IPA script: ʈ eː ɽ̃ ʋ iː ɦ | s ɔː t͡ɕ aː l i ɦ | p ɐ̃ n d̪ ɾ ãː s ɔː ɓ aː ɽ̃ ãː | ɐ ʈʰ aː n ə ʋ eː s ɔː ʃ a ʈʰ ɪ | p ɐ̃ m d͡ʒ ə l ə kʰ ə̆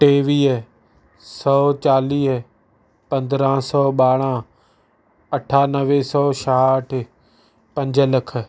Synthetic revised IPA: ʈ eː ʋ iː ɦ | s ɔː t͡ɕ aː l iː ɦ | p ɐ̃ n d̪ ɾ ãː s ɔː ɓ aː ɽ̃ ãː | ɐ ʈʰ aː n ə ʋ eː s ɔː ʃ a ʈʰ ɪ | p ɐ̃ ɲ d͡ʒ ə l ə kʰ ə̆